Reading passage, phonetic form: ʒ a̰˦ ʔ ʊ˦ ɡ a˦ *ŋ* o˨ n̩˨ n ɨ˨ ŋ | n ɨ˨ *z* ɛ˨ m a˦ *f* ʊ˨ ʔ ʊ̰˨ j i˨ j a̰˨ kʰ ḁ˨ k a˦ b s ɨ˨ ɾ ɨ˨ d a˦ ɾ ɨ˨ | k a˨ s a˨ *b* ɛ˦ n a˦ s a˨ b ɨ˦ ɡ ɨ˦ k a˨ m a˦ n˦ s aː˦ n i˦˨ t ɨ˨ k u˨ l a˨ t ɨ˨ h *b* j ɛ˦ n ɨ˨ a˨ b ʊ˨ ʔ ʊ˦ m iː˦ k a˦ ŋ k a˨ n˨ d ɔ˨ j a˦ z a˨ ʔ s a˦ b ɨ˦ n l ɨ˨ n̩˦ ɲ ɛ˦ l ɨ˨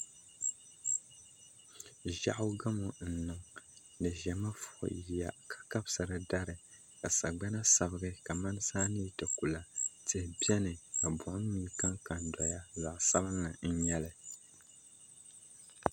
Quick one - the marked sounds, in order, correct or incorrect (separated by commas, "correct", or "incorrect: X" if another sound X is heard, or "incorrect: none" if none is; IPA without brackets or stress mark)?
incorrect: m, incorrect: ʒ, correct, incorrect: ɡ͡b, correct